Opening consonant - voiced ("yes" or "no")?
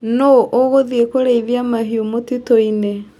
yes